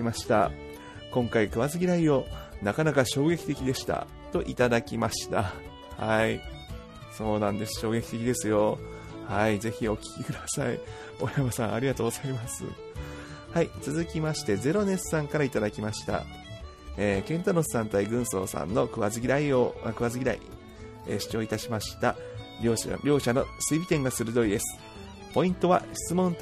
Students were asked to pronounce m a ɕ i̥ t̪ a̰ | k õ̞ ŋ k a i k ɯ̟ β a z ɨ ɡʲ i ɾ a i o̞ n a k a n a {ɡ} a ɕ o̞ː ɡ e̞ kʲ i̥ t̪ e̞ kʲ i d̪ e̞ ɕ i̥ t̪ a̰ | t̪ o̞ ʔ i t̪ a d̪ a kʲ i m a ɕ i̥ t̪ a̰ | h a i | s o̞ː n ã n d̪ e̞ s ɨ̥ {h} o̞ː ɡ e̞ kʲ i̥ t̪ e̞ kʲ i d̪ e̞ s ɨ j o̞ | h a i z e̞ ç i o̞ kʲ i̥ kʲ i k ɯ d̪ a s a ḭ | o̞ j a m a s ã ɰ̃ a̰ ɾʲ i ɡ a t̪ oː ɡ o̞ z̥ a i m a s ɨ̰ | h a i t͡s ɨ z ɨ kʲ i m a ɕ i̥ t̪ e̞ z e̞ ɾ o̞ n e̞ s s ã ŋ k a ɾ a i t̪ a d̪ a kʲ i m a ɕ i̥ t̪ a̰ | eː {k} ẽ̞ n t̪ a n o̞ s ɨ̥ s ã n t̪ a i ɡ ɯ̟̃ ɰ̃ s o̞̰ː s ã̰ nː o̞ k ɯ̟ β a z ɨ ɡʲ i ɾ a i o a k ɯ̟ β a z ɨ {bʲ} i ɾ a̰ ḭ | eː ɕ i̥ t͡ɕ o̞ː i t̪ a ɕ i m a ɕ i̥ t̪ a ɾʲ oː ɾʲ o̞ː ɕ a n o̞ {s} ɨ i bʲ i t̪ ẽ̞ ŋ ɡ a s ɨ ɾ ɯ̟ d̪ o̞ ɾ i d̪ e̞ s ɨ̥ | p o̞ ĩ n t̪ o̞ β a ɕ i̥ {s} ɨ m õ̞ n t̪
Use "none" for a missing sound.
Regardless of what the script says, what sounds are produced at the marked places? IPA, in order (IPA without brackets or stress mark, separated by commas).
k, ɕ, k, ɡʲ, s, t͡s